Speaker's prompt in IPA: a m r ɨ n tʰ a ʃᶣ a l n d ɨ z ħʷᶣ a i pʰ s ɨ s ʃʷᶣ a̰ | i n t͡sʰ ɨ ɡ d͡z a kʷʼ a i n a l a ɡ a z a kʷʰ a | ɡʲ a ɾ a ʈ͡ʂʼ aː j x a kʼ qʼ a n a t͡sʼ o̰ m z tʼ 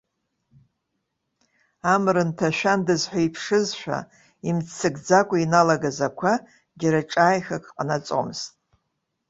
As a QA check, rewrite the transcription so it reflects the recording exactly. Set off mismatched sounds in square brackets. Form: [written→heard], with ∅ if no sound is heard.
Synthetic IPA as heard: a m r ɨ n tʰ a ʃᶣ a [l→∅] n d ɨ z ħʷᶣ a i pʰ [s→ʂ] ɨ [s→z] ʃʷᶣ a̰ | i [n→m] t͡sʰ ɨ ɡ d͡z a kʷʼ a i n a l a ɡ a z a kʷʰ a | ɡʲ a ɾ a ʈ͡ʂʼ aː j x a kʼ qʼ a n a t͡sʼ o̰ m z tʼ